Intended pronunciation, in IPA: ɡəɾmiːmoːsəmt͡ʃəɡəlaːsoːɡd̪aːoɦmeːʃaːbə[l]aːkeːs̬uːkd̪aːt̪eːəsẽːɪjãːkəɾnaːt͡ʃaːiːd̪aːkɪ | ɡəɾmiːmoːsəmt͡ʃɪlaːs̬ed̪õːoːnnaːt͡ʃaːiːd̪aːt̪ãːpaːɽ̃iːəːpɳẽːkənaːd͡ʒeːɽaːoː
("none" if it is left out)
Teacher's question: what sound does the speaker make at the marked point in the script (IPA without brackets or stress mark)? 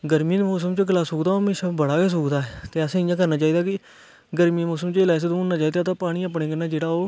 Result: ɽ